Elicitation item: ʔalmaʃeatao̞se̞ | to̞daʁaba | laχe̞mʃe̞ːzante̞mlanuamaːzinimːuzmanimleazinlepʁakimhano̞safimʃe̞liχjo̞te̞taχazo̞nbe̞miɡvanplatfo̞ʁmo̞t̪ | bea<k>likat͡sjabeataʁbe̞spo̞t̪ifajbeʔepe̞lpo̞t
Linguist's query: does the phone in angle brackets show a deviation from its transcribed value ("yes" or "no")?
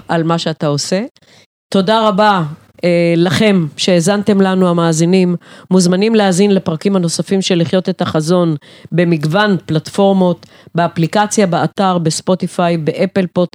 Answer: yes